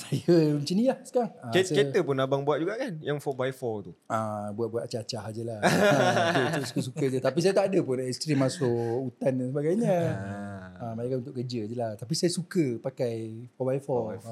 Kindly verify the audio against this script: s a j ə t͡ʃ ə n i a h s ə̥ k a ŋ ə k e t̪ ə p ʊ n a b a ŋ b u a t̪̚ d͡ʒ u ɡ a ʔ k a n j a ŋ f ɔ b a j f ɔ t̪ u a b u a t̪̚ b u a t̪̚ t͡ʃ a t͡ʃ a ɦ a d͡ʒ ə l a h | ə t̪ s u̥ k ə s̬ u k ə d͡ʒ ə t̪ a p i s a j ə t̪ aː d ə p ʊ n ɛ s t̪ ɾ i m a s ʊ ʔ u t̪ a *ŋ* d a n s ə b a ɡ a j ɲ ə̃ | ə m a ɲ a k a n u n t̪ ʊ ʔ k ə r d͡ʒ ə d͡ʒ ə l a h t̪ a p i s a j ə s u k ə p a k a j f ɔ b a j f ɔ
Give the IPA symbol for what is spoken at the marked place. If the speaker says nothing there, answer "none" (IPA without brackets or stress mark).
n